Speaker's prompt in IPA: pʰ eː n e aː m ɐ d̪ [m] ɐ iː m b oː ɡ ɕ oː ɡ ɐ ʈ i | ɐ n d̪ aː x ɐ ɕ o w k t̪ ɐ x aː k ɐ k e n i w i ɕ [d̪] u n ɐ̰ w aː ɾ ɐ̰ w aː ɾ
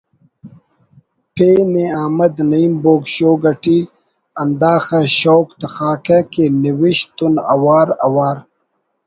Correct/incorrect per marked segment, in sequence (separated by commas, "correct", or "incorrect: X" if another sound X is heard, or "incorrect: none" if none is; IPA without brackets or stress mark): incorrect: n, incorrect: t̪